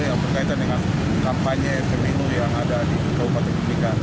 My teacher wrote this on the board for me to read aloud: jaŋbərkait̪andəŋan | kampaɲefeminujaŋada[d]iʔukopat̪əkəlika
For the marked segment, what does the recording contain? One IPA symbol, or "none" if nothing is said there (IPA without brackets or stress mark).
d